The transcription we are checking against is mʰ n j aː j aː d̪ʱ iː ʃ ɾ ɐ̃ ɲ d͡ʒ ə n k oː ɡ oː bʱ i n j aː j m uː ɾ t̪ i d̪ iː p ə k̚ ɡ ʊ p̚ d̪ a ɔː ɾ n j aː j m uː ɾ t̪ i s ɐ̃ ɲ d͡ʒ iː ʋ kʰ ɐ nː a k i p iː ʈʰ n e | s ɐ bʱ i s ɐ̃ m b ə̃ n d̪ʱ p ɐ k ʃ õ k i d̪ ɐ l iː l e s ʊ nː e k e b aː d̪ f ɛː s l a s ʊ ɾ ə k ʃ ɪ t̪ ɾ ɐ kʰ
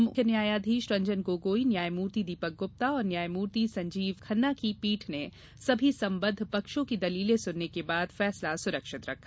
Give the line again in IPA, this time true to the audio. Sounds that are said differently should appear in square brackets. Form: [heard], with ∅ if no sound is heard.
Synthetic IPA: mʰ n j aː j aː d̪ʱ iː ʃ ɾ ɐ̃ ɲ d͡ʒ ə n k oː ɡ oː [∅] i n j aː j m uː ɾ t̪ i d̪ iː p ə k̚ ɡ ʊ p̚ [t̪] a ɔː ɾ n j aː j m uː ɾ t̪ i s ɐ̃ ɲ d͡ʒ iː ʋ kʰ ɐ nː a k i p iː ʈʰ n e | s ɐ bʱ i s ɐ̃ m b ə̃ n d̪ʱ p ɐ k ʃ õ k i d̪ ɐ l iː l e s ʊ nː e k e b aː d̪ f ɛː s l a s ʊ ɾ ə k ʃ ɪ t̪ ɾ ɐ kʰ